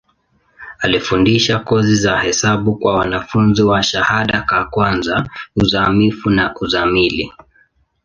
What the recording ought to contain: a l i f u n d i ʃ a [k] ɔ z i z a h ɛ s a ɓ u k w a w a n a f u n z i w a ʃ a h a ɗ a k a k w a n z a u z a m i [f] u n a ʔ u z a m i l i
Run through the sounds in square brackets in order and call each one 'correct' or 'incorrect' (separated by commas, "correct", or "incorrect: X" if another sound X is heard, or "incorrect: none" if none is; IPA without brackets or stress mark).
correct, correct